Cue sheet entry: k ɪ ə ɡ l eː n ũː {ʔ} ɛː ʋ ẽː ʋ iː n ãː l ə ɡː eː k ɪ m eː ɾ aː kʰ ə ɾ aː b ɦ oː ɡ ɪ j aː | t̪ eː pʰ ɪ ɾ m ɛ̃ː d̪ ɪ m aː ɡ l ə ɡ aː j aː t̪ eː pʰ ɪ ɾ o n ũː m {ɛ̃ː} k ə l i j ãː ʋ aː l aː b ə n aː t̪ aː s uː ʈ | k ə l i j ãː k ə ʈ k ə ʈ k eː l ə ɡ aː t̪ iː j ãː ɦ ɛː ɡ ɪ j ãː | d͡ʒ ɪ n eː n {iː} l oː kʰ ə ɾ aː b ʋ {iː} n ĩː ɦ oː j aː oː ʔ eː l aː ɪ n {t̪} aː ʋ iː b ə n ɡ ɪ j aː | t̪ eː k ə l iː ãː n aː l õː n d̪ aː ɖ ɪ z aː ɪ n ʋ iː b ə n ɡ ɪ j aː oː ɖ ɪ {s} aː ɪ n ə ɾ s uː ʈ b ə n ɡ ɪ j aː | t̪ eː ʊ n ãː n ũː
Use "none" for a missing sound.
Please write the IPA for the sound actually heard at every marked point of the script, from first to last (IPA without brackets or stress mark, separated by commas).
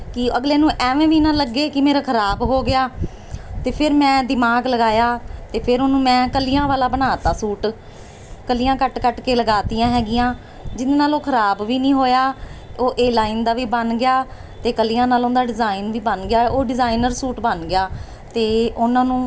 ʔ, ɛ̃ː, aː, iː, d̪, z